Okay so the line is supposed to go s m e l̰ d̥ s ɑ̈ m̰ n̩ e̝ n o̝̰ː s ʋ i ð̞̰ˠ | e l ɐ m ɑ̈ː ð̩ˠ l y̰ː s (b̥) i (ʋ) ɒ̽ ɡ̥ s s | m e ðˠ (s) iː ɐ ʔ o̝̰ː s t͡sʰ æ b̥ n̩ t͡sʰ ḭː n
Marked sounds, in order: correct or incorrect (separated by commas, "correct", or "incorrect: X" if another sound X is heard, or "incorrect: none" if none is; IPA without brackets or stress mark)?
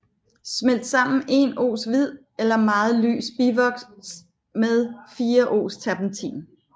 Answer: correct, correct, incorrect: f